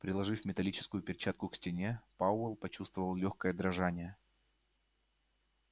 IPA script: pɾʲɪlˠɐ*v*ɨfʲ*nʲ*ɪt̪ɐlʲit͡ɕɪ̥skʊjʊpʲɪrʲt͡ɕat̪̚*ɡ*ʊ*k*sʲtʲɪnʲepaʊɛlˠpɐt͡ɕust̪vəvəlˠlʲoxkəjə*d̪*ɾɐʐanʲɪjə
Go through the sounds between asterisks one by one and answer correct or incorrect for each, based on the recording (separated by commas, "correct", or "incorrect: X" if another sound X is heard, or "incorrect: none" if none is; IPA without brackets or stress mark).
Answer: incorrect: ʐ, incorrect: mʲ, incorrect: k, correct, correct